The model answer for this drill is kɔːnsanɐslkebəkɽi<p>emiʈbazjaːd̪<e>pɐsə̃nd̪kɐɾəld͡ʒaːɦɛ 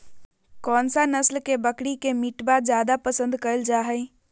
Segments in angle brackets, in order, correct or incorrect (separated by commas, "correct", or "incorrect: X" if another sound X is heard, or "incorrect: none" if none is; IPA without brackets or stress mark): incorrect: k, incorrect: a